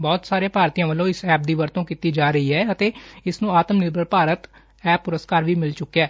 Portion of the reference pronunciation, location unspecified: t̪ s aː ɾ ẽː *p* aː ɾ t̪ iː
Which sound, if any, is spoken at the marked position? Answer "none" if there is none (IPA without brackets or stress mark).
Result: p